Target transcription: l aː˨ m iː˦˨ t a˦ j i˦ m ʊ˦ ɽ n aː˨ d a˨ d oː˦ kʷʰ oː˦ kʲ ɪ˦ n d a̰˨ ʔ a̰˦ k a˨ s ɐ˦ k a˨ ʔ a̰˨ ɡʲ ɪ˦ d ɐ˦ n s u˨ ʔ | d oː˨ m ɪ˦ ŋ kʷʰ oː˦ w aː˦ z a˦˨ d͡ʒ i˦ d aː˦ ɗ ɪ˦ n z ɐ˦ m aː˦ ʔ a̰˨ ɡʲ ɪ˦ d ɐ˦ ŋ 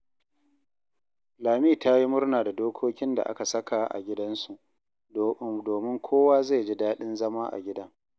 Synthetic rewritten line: l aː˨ m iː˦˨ t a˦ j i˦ m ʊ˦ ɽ n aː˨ d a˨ d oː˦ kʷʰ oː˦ kʲ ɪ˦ n d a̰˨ ʔ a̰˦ k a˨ s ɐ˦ k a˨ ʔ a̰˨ ɡʲ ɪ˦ d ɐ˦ n s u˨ ʔ | d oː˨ m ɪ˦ ŋ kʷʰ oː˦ w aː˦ z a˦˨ d͡ʒ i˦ d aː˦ ɗ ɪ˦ n z ɐ˦ m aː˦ ʔ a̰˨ ɡʲ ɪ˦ d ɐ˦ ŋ